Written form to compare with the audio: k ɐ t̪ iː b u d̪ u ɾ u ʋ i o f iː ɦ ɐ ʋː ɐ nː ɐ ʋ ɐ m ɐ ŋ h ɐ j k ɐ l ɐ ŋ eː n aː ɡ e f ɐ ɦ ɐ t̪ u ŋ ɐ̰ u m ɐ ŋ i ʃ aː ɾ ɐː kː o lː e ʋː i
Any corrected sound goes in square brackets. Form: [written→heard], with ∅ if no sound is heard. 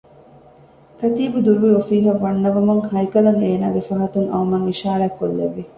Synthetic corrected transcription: k ɐ t̪ iː b u d̪ u ɾ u ʋ i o f iː ɦ ɐ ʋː ɐ nː ɐ ʋ ɐ m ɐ ŋ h ɐ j k ɐ l ɐ ŋ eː n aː ɡ e f ɐ ɦ ɐ t̪ u ŋ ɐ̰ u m ɐ ŋ i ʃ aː ɾ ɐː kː o lː e ʋː i

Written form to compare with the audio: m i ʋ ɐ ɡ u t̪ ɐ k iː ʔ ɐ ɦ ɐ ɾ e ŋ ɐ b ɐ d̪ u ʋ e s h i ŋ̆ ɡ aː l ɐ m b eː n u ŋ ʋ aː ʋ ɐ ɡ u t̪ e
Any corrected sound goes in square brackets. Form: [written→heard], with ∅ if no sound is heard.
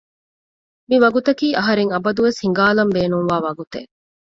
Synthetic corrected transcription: m i ʋ ɐ ɡ u t̪ ɐ k iː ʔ ɐ ɦ ɐ ɾ e ŋ ɐ b ɐ d̪ u ʋ e s h i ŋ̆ ɡ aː l ɐ m b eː n u ŋ ʋ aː ʋ ɐ ɡ u t̪ e

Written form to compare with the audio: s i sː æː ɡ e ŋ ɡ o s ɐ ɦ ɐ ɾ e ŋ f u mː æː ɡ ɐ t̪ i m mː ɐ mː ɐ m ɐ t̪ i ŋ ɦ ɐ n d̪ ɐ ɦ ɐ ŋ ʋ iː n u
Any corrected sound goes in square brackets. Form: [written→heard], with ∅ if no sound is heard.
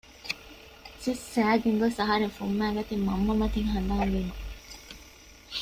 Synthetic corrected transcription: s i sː æː ɡ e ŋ ɡ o s ɐ ɦ ɐ ɾ e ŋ f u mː æː ɡ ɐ t̪ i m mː ɐ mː ɐ m ɐ t̪ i ŋ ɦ ɐ n d̪ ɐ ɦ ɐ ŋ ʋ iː n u

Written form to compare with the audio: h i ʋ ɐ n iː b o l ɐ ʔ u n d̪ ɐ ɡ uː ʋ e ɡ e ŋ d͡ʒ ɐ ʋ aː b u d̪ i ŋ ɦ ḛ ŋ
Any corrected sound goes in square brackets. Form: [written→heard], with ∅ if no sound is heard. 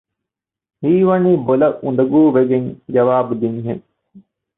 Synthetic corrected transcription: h [i→iː] ʋ ɐ n iː b o l ɐ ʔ u n d̪ ɐ ɡ uː ʋ e ɡ e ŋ d͡ʒ ɐ ʋ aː b u d̪ i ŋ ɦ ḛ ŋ

